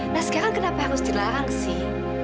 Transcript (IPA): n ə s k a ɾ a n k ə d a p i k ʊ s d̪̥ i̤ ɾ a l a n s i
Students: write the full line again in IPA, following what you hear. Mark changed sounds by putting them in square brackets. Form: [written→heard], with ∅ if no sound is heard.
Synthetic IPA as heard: n [ə→a] s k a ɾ a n k ə [d→n] a p [i→a] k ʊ s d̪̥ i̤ [ɾ→l] a [l→ɾ] a [n→ŋ] s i